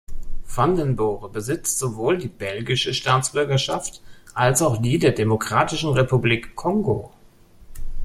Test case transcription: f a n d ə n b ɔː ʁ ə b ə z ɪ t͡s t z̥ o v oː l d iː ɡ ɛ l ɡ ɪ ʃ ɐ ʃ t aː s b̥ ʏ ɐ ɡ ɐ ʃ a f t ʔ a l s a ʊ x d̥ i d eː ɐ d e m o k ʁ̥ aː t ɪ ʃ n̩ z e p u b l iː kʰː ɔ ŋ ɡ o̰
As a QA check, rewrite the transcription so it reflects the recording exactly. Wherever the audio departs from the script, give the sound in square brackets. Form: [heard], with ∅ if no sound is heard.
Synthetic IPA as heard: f a n d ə n b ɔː ʁ ə b ə z ɪ t͡s t z̥ o v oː l d iː [b] ɛ l ɡ ɪ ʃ [ə] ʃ t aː [t͡s] b̥ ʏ ɐ ɡ ɐ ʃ a f t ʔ a l s a ʊ x d̥ [iː] d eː ɐ d e m o k ʁ̥ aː t ɪ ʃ n̩ [ʁ] e p u b l iː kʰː ɔ ŋ ɡ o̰